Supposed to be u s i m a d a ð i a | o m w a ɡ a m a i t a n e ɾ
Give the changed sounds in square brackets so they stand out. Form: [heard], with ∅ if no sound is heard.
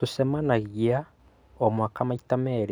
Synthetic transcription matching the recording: u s [e] m a [n] a [ɣ] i a | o m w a [k] a m a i t a [m] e ɾ